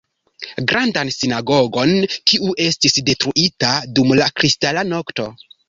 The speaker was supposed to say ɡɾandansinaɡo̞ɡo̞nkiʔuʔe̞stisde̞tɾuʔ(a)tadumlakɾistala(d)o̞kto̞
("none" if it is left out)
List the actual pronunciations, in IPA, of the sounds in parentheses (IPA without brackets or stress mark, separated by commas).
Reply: i, n